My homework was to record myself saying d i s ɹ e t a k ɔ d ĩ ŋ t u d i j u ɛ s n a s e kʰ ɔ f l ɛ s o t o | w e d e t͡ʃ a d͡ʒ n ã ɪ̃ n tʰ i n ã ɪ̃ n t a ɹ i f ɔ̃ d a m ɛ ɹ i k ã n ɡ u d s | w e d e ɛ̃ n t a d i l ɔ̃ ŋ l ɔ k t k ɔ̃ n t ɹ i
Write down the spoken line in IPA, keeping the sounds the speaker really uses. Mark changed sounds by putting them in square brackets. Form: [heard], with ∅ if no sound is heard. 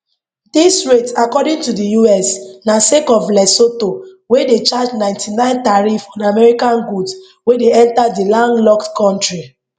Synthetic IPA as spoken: d i s ɹ e t a k ɔ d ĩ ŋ t u d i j u ɛ s n a s e [k] ɔ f l ɛ s o t o | w e d e t͡ʃ a d͡ʒ n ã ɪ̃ n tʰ i n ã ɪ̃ n t a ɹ i f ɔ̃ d a m ɛ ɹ i k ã n ɡ u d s | w e d e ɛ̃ n t a d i l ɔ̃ ŋ l ɔ k t k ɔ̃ n t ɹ i